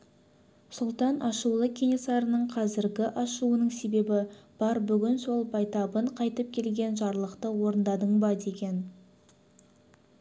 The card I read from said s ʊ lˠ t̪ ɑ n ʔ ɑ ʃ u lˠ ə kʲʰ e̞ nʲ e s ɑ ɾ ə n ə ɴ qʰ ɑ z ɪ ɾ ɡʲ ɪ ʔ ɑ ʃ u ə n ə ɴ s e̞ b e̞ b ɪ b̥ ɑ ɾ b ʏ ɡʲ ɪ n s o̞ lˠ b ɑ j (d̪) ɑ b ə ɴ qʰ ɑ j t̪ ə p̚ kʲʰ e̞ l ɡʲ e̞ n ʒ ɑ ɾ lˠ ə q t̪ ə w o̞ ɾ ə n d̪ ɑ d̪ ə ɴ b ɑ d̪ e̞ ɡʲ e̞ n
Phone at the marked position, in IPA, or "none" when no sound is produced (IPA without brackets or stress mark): t̪